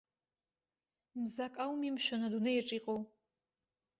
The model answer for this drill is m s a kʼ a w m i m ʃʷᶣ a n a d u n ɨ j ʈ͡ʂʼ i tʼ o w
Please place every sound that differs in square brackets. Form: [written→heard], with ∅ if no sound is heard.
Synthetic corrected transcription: m [s→z] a kʼ a w m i m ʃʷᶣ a n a d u n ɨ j ʈ͡ʂʼ i [tʼ→qʼ] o w